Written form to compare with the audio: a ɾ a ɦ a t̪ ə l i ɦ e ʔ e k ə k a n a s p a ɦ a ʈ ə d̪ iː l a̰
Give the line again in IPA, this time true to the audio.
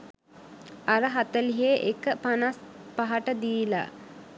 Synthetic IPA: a ɾ ə ɦ a t̪ ə l i ɦ e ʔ e k ə p a n a s p a ɦ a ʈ ə d̪ iː l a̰